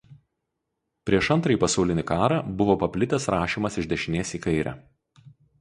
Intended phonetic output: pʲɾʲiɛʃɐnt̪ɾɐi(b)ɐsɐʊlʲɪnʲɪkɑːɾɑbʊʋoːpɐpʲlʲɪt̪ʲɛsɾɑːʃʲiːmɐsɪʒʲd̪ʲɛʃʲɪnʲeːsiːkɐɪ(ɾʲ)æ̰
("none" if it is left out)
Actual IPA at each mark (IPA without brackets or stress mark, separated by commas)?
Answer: p, ɾʲ